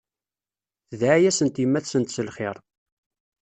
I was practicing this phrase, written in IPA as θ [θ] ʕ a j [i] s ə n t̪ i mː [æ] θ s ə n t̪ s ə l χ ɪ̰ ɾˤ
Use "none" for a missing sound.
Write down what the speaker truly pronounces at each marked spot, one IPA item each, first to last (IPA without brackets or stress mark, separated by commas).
ð, æ, æ